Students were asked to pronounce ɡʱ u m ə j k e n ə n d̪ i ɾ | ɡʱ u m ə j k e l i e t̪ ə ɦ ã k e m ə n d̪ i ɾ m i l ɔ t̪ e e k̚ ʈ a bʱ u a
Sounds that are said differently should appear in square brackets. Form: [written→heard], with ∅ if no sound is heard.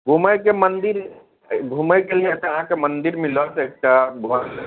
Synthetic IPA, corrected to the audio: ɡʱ u m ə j k e [n→m] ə n d̪ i ɾ | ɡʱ u m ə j k e l i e t̪ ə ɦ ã k e m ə n d̪ i ɾ m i l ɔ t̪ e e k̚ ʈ a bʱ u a

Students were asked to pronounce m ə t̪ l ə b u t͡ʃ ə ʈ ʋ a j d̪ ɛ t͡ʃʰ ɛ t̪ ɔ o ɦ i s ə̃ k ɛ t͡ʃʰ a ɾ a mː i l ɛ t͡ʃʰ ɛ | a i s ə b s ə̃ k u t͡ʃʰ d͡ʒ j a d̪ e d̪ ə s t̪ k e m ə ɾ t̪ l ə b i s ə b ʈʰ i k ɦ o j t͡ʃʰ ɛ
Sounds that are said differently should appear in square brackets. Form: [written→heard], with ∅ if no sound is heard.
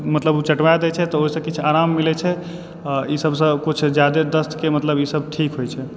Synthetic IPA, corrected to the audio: m ə t̪ l ə b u t͡ʃ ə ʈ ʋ a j d̪ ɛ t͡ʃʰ ɛ t̪ ɔ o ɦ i s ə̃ k [ɛ→i] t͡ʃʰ a ɾ a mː i l ɛ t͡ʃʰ ɛ | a i s ə b s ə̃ k u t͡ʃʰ d͡ʒ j a d̪ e d̪ ə s t̪ k e m ə [ɾ→∅] t̪ l ə b i s ə b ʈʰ i k ɦ o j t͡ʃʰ ɛ

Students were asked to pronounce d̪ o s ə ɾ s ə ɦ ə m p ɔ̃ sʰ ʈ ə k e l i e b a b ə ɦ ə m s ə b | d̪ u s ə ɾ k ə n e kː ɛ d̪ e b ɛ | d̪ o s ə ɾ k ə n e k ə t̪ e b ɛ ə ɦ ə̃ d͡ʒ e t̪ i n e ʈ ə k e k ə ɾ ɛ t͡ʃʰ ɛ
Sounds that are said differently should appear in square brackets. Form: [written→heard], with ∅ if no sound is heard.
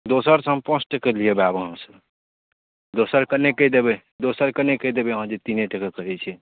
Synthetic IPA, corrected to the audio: d̪ o s ə ɾ s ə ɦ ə m p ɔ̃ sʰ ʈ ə k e l i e b a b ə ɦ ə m s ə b | d̪ [u→o] s ə ɾ k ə n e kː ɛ d̪ e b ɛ | d̪ o s ə ɾ k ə n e k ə [t̪→d̪] e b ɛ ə ɦ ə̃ d͡ʒ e t̪ i n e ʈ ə k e k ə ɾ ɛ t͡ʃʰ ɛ

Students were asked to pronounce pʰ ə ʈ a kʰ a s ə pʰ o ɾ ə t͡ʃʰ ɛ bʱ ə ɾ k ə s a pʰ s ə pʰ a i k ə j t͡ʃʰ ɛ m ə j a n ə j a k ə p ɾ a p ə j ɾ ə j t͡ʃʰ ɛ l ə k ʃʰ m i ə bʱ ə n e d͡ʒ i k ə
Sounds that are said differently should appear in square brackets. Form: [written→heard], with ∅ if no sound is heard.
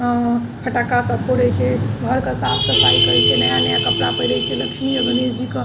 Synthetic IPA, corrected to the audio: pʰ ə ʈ a [kʰ→k] a s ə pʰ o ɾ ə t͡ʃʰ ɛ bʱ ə ɾ k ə s a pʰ s ə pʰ a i k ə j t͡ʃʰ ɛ [m→n] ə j a n ə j a k ə p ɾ a p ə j ɾ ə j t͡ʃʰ ɛ l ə k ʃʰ m i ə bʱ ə n e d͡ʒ i k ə

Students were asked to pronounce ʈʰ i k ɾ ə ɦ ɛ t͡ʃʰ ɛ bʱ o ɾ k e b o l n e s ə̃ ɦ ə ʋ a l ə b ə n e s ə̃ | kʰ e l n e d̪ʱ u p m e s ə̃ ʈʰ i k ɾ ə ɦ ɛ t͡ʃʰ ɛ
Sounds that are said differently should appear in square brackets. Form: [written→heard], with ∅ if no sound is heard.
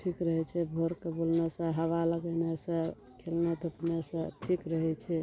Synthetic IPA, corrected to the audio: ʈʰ i k ɾ ə ɦ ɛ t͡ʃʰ ɛ bʱ o ɾ k e b o l n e s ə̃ ɦ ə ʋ a l ə [b→ɡ] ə n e s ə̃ | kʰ e l n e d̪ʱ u p [m→n] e s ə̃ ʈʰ i k ɾ ə ɦ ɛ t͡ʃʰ ɛ

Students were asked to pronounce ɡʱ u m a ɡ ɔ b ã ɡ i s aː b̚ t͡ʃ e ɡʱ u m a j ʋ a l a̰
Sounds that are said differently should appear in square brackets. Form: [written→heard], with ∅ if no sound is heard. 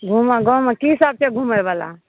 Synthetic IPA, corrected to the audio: ɡʱ u m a ɡ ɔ [b→m] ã [ɡ→k] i s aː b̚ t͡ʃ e ɡʱ u m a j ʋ a l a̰

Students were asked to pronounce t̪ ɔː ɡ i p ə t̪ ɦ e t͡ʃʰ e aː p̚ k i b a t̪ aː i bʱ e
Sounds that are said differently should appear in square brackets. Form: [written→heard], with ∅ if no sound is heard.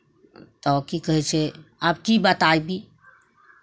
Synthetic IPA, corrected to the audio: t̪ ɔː [ɡ→k] i [p→k] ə [t̪→∅] ɦ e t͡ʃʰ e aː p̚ k i b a t̪ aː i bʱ [e→i]

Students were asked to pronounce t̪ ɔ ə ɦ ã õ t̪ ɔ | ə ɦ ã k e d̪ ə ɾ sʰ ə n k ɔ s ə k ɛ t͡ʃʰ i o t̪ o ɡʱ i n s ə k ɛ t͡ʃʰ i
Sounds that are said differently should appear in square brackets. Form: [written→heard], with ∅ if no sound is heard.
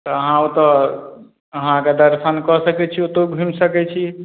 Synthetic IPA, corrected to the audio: t̪ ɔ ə ɦ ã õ t̪ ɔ | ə ɦ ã k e d̪ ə ɾ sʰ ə n k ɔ s ə k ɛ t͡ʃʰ i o t̪ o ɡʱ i [n→m] s ə k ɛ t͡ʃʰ i

